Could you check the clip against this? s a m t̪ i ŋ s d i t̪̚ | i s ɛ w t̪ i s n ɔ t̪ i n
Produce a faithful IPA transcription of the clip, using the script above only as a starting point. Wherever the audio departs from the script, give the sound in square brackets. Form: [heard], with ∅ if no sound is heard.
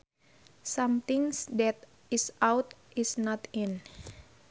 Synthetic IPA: s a m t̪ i ŋ s d [ɛ] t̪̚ | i s [a] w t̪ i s n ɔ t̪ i n